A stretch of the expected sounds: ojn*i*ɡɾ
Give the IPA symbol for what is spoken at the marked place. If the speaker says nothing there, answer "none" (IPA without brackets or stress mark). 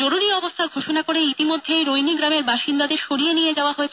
i